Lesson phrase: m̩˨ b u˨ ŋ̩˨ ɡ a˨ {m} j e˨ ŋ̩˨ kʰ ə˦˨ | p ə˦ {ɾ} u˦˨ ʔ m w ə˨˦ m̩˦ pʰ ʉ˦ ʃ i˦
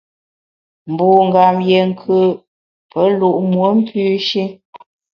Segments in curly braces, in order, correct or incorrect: correct, incorrect: l

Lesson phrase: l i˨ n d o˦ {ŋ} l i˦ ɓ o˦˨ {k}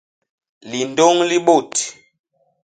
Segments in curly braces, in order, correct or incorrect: correct, incorrect: t

